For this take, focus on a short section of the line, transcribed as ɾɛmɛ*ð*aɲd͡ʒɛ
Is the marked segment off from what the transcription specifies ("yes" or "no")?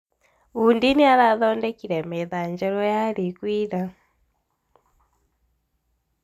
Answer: no